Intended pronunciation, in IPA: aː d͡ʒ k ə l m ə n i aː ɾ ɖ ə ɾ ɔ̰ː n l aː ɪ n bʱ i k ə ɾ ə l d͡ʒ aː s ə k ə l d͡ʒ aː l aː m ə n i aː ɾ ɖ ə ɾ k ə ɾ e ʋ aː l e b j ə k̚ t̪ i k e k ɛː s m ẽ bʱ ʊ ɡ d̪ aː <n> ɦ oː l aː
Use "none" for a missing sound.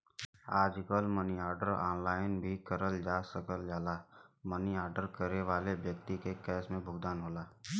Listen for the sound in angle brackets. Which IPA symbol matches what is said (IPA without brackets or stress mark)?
n